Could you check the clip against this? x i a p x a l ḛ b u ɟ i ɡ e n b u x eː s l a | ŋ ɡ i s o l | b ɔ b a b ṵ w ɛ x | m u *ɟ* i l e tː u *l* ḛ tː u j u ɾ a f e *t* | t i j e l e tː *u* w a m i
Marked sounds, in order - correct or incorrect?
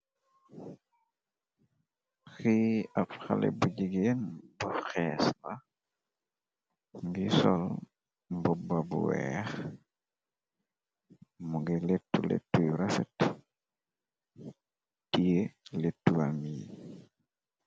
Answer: incorrect, correct, correct, correct

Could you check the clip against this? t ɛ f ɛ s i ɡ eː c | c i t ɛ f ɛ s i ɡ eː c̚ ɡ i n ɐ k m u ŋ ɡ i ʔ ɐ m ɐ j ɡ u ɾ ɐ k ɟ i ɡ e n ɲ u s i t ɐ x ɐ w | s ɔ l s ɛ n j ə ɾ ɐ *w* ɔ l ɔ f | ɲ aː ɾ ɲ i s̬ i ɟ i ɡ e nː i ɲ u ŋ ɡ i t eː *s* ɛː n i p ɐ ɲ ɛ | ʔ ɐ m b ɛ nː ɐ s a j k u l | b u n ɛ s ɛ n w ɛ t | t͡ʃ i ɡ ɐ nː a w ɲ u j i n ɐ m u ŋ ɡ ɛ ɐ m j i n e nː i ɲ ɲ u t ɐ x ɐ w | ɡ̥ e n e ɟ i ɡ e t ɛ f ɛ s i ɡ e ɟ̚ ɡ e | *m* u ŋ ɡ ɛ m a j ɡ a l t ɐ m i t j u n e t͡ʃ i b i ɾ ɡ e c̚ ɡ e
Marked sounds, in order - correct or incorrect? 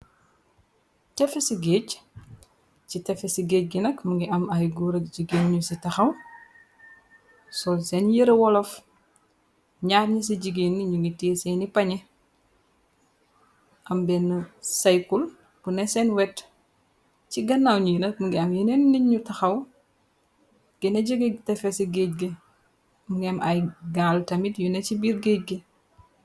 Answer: correct, correct, correct

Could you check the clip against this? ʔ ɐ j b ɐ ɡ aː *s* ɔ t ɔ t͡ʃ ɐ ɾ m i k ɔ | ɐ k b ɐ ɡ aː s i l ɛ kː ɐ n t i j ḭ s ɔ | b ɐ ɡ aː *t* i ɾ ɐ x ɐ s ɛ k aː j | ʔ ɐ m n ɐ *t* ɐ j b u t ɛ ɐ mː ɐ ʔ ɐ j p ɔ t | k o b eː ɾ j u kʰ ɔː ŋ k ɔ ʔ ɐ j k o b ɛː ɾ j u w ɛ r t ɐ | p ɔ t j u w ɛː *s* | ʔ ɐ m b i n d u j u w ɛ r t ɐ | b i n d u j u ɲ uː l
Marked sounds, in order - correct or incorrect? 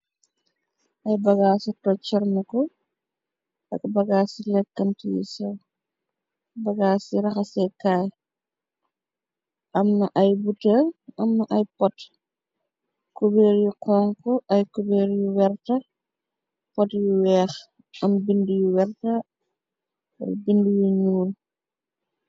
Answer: correct, incorrect, incorrect, incorrect

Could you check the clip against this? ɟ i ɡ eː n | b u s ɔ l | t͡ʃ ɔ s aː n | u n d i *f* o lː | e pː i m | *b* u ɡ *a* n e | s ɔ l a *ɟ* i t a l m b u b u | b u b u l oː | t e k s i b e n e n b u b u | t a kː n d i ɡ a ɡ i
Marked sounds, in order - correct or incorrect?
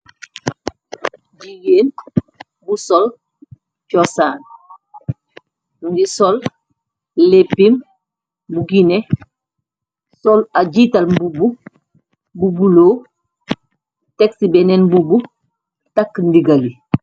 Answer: incorrect, correct, incorrect, correct

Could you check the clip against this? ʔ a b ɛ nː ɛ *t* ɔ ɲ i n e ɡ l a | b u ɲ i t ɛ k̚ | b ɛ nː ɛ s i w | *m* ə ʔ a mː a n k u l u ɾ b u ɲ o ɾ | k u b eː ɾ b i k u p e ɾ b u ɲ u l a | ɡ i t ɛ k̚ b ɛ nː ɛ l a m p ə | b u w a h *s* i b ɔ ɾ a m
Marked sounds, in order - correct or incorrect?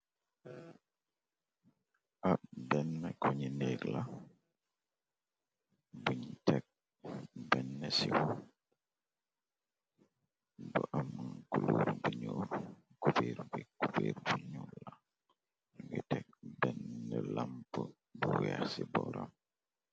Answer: incorrect, incorrect, correct

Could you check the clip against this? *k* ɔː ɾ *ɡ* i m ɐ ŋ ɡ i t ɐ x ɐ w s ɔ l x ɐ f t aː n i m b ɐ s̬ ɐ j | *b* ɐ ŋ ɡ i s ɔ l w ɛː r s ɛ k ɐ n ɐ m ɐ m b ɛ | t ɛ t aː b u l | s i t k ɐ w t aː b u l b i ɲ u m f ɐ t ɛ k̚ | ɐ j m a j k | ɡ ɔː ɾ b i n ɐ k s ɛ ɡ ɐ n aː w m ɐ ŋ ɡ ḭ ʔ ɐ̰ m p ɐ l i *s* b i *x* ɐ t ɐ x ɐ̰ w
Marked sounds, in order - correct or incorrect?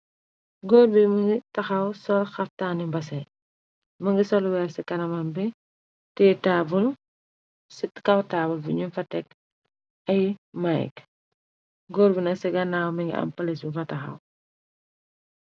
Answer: incorrect, incorrect, incorrect, correct, incorrect

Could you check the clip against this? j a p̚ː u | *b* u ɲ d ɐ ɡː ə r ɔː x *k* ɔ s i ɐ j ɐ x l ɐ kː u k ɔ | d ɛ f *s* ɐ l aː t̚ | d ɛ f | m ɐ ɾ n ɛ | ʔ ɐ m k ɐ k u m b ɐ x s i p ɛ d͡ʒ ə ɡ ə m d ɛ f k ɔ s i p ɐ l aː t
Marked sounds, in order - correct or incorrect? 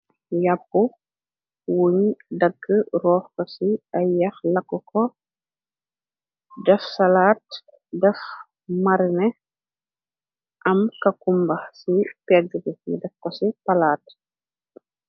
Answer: incorrect, correct, correct

